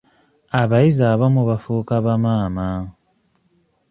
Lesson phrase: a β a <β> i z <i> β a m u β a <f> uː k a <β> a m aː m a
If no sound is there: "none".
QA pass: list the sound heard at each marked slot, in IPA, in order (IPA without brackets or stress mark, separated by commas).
none, a, f, β